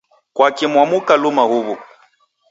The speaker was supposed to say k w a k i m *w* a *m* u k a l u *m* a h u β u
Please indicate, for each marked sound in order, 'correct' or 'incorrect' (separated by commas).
correct, correct, correct